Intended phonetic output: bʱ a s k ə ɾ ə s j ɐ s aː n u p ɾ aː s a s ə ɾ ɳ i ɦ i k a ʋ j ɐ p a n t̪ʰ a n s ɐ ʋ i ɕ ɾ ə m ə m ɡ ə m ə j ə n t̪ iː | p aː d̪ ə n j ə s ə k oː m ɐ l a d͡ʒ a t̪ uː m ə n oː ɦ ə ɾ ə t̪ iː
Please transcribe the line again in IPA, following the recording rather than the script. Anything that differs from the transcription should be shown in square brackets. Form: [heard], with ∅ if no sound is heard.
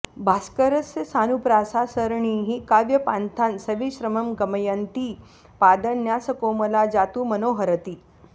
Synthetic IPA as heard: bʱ a s k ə ɾ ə s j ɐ s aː n u p ɾ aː s a s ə ɾ ɳ i ɦ i k a ʋ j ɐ p a n t̪ʰ a n s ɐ ʋ i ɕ ɾ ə m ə m ɡ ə m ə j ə n t̪ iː | p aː d̪ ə n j [a] s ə k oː m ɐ l a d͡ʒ a t̪ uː m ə n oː ɦ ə ɾ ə t̪ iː